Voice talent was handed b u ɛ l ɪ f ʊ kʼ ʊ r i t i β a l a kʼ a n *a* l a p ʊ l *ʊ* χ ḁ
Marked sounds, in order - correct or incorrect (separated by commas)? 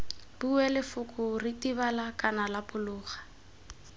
correct, incorrect